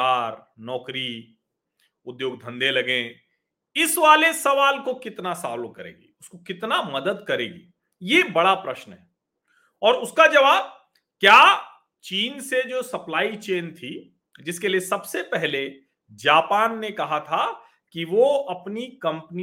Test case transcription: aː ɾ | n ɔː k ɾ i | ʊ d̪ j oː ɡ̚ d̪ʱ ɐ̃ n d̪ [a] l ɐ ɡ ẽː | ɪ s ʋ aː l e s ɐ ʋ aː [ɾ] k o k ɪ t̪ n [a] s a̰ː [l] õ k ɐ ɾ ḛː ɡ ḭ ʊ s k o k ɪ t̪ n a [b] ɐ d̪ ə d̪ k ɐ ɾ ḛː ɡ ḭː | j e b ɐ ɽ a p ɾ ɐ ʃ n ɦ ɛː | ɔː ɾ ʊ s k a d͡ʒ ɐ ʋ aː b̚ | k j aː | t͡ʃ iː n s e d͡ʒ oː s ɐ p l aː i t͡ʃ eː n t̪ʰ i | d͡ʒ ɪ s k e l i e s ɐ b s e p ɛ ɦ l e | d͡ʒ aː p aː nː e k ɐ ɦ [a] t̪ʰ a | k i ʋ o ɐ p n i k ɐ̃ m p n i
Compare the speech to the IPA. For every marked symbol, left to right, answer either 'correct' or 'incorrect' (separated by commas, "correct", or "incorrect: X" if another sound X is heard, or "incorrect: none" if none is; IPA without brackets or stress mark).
incorrect: e, incorrect: l, correct, correct, incorrect: m, correct